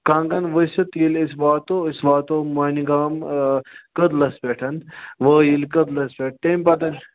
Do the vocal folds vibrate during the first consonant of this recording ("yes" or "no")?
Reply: no